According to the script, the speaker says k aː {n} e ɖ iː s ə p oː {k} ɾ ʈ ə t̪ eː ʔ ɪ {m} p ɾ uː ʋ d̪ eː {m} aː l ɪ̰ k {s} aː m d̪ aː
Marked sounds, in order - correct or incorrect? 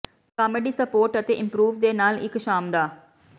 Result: incorrect, incorrect, correct, incorrect, incorrect

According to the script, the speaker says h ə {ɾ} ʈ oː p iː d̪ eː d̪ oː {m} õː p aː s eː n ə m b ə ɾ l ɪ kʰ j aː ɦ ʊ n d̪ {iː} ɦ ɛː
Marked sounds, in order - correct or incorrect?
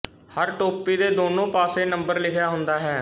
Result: correct, incorrect, incorrect

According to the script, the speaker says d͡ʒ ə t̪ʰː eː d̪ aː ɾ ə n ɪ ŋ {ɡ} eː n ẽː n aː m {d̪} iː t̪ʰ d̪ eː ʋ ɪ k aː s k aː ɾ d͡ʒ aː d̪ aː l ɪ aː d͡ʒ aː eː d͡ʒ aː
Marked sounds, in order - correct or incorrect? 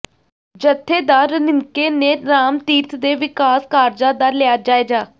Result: incorrect, incorrect

